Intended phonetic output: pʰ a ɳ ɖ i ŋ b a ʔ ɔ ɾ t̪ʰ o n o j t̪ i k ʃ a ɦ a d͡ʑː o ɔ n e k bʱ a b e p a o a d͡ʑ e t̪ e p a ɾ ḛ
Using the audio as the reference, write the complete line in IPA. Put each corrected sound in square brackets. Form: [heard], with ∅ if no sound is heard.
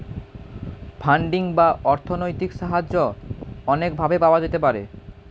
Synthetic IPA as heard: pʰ a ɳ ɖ i ŋ b a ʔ ɔ ɾ t̪ʰ o n o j t̪ i k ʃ a ɦ a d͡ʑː o ɔ n e k bʱ a b e p a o a d͡ʑ e t̪ e p a ɾ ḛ